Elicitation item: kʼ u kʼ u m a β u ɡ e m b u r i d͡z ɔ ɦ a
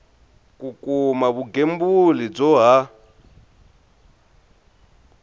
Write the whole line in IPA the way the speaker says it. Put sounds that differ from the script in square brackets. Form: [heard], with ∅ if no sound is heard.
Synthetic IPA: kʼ u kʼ u m a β u ɡ e m b u [l] i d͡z ɔ ɦ a